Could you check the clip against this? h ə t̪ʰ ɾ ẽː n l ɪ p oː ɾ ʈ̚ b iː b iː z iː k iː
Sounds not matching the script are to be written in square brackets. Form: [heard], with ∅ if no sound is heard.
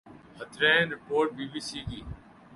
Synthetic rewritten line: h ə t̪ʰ ɾ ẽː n [ɾ] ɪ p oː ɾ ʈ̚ b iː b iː [s] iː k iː